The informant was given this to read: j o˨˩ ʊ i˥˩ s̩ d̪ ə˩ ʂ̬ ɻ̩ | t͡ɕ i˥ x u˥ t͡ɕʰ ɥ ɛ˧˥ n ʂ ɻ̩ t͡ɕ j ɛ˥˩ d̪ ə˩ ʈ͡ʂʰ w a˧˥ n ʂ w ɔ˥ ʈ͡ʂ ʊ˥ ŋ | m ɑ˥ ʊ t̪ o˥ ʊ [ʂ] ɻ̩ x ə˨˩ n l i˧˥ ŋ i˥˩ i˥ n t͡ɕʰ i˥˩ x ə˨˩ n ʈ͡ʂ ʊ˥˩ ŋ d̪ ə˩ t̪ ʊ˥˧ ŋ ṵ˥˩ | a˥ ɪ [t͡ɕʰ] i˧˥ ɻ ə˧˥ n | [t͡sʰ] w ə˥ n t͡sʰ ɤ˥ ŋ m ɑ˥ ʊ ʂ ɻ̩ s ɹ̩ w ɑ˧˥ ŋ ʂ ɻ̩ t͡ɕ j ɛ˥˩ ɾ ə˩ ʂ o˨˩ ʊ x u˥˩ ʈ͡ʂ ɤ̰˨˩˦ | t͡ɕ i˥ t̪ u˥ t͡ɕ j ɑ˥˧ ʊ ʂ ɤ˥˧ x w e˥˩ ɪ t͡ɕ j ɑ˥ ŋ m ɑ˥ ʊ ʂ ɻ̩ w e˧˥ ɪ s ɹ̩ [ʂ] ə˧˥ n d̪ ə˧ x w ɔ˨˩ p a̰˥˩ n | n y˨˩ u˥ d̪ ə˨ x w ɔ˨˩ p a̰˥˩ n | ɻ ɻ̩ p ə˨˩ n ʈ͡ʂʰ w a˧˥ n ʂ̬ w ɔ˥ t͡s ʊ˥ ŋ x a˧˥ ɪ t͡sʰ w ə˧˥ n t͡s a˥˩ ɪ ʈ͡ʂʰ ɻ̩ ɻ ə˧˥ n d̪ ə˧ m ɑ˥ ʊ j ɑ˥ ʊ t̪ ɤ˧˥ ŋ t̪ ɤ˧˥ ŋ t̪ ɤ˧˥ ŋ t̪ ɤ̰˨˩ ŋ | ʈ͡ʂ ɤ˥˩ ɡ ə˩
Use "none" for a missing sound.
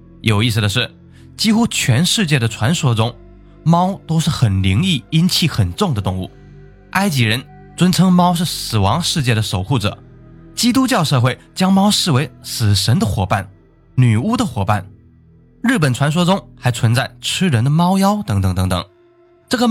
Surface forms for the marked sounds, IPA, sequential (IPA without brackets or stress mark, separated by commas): ʂ, t͡ɕ, t͡s, ʂ